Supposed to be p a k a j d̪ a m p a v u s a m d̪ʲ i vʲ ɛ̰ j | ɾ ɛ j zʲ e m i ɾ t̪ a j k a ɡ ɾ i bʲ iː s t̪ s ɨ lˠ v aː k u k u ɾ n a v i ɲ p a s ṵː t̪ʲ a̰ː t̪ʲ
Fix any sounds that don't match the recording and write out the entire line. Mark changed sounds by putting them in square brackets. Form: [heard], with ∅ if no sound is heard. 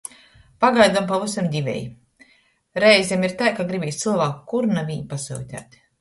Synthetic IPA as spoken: p a [ɡ] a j d̪ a m p a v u s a m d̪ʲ i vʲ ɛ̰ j | ɾ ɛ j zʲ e m i ɾ t̪ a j k a ɡ ɾ i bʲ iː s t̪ s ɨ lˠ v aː k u k u ɾ n a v i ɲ p a s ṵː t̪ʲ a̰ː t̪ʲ